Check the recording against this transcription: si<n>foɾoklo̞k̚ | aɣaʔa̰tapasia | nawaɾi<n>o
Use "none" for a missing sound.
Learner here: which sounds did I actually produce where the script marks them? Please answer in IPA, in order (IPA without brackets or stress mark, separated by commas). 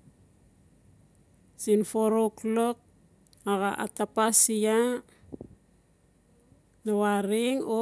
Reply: n, ŋ